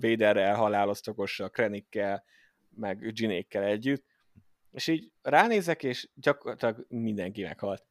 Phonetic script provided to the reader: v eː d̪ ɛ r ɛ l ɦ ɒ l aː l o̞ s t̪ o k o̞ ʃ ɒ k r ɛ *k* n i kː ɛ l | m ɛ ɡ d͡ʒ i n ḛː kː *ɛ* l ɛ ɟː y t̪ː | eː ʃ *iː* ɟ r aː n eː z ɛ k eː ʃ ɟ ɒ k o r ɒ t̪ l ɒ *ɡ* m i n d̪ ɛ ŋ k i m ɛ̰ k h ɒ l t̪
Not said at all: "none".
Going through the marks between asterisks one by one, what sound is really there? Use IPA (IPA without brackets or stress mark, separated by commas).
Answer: none, ɛ, iː, ɡ